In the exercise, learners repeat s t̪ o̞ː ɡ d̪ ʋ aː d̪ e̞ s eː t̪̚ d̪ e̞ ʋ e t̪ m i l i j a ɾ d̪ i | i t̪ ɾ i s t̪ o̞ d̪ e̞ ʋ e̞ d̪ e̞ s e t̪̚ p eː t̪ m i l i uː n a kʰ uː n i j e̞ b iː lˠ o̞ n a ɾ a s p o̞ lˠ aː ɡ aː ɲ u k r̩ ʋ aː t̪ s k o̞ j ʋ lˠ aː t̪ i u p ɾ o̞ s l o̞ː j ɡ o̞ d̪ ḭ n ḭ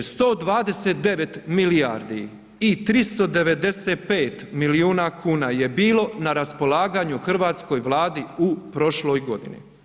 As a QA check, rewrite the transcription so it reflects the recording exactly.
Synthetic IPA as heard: s t̪ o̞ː d̪ ʋ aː d̪ e̞ s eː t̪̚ d̪ e̞ ʋ e t̪ m i l i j a ɾ d̪ i | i t̪ ɾ i s t̪ o̞ d̪ e̞ ʋ e̞ d̪ e̞ s e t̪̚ p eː t̪ m i l i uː n a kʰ uː n a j e̞ b iː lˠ o̞ n a ɾ a s p o̞ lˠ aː ɡ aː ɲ u x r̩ ʋ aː t̪ s k o̞ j ʋ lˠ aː d̪ i u p ɾ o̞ ʃ l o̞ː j ɡ o̞ d̪ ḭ n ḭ

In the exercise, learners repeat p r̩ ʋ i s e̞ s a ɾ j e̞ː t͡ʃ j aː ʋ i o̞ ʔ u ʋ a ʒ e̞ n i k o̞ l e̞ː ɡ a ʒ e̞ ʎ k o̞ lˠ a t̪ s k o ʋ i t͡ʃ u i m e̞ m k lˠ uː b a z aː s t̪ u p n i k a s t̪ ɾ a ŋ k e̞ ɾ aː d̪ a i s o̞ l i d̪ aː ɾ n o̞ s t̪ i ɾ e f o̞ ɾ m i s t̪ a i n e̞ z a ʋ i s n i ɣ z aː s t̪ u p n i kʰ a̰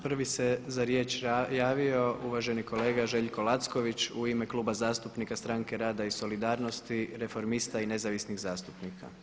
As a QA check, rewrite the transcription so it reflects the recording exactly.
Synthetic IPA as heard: p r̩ ʋ i s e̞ z a ɾ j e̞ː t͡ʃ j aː ʋ i o̞ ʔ u ʋ a ʒ e̞ n i k o̞ l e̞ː ɡ a ʒ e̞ ʎ k o̞ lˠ a t̪ s k o ʋ i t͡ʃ u i m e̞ k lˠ uː b a z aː s t̪ u p n i k a s t̪ ɾ a ŋ k e̞ ɾ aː d̪ a i s o̞ l i d̪ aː ɾ n o̞ s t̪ i ɾ e f o̞ ɾ m i s t̪ a i n e̞ z a ʋ i s n i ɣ z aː s t̪ u p n i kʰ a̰

